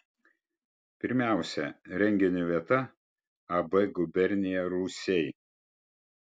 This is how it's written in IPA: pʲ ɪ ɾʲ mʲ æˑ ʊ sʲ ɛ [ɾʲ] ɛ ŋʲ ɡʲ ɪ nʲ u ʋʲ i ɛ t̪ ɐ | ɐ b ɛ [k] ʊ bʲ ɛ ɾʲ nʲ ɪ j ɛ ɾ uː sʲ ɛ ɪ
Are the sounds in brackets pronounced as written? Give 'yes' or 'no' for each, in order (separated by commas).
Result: yes, no